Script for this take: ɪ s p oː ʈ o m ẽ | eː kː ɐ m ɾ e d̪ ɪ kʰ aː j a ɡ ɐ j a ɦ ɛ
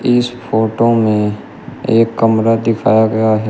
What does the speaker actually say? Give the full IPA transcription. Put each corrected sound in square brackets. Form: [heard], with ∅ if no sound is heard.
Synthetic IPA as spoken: ɪ s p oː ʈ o m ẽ | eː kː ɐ m ɾ [a] d̪ ɪ kʰ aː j a ɡ ɐ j a ɦ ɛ